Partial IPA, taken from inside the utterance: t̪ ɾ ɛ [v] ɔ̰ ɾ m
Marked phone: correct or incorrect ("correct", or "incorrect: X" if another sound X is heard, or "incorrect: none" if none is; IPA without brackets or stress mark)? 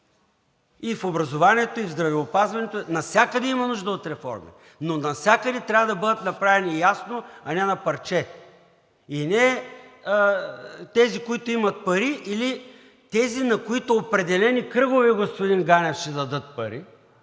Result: incorrect: f